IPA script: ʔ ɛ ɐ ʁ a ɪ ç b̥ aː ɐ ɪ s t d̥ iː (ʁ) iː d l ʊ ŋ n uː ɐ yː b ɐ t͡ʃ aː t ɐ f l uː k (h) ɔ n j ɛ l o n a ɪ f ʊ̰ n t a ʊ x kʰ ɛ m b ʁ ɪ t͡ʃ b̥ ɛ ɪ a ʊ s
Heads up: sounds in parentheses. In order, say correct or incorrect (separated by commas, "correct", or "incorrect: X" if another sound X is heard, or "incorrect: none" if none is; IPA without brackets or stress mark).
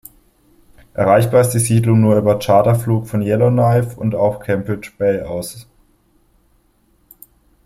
incorrect: z, incorrect: f